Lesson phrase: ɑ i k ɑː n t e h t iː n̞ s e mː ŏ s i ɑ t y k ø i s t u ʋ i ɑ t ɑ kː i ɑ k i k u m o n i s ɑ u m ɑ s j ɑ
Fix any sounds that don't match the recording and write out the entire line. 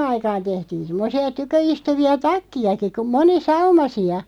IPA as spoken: ɑ i k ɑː n t e h t iː n̞ s e mː ŏ s i ɑ t y k ø i s t u ʋ i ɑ t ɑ kː i ɑ k i k u m o n i s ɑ u m ɑ s i ɑ